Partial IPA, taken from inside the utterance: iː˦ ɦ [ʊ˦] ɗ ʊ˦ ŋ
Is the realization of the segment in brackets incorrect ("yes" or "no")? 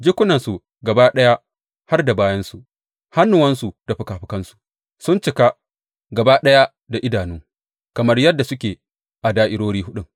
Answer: no